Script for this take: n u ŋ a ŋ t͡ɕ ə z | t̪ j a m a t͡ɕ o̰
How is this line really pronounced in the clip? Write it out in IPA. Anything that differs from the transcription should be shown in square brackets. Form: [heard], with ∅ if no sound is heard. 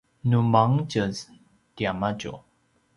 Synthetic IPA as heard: n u [m] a ŋ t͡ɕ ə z | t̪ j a m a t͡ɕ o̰